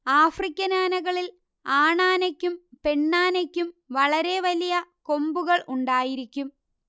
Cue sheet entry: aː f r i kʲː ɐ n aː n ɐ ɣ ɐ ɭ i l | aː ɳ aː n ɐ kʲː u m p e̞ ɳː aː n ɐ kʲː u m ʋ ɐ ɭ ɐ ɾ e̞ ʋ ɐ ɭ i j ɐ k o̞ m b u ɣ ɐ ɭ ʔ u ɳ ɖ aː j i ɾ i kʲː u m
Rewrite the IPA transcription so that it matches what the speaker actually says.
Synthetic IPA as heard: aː f r i kʲː ɐ n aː n ɐ ɣ ɐ ɭ i l | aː ɳ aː n ɐ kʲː u m p e̞ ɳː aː n ɐ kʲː u m ʋ ɐ ɭ ɐ ɾ e̞ ʋ ɐ l i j ɐ k o̞ m b u ɣ ɐ ɭ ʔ u ɳ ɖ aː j i ɾ i kʲː u m